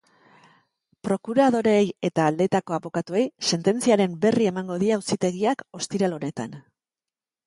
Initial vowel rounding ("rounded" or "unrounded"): rounded